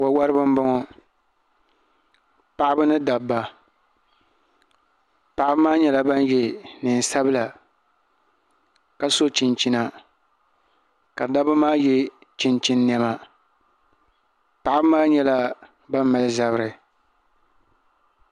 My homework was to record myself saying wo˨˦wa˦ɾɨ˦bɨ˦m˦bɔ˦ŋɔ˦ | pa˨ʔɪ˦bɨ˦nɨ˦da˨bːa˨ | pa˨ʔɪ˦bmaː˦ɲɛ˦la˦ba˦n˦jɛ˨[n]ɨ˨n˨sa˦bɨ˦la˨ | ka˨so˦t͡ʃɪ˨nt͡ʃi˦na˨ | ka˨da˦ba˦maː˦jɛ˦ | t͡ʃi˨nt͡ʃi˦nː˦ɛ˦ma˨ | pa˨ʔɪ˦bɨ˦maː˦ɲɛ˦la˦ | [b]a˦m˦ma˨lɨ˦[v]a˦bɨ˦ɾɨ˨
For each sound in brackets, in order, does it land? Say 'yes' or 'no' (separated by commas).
yes, yes, no